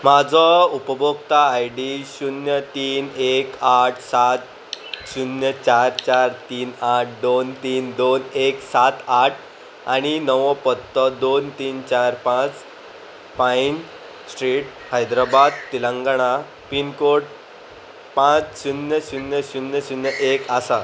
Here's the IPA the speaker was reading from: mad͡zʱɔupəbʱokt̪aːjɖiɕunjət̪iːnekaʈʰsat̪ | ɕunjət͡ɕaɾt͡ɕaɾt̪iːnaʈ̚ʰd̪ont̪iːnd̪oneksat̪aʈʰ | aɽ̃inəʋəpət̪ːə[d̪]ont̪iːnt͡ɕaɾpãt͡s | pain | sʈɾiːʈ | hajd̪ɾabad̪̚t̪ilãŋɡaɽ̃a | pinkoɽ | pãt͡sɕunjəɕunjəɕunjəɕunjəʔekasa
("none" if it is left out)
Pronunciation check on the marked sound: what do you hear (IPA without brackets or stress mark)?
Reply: d̪